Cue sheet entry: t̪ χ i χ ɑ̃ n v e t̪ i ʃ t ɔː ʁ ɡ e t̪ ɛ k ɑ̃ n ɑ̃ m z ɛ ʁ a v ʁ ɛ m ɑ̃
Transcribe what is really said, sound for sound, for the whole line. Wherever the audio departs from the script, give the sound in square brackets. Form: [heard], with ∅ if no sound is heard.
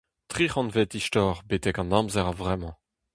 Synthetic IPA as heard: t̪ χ i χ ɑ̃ n v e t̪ i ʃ t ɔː ʁ [b] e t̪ ɛ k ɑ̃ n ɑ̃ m z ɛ ʁ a v ʁ ɛ m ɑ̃